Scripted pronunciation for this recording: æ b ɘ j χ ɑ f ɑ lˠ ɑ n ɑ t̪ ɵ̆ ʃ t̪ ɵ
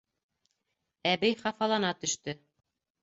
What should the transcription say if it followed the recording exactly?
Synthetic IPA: æ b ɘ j χ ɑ f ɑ lˠ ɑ n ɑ t̪ ɵ̆ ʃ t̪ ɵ